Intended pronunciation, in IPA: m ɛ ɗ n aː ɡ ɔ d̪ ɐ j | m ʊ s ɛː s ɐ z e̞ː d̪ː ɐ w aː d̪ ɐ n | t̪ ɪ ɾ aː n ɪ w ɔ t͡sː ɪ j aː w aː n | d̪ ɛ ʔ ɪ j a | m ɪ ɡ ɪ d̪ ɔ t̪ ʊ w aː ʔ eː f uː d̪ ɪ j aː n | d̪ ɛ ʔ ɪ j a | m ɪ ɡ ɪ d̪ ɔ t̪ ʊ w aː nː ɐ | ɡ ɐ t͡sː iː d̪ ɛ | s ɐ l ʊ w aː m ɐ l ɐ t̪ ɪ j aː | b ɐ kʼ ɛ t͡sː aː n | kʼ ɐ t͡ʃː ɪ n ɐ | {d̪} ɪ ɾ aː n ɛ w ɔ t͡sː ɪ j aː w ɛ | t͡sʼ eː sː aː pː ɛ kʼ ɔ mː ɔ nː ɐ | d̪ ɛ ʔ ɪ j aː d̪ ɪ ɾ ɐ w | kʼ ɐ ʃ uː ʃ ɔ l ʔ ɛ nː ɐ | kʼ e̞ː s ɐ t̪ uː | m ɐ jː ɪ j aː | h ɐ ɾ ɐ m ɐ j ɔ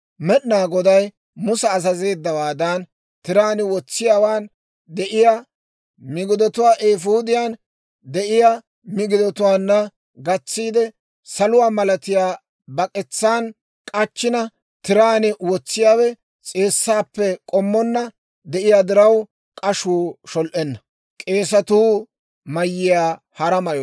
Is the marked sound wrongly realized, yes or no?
yes